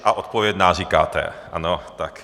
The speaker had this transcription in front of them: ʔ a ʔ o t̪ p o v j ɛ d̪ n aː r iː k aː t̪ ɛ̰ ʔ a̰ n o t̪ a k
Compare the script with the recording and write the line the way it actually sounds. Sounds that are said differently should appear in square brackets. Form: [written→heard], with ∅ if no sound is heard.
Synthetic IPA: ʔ a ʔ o t̪ p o v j ɛ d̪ n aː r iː k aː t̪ ɛ̰ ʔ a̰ n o t̪ a k